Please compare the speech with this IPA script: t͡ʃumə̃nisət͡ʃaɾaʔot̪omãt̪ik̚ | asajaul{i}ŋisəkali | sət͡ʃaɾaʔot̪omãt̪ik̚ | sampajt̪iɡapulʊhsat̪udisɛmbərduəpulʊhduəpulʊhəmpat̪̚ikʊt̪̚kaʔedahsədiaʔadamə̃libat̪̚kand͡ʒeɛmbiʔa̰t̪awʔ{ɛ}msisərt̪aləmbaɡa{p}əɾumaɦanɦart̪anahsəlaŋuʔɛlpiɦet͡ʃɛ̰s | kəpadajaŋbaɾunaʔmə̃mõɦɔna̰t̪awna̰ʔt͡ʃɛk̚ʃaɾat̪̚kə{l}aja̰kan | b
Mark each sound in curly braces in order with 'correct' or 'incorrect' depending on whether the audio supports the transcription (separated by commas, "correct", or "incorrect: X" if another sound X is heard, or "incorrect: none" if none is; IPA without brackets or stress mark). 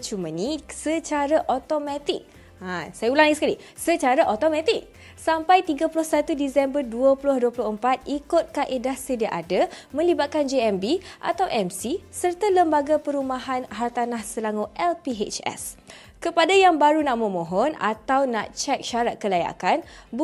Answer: incorrect: a, correct, correct, correct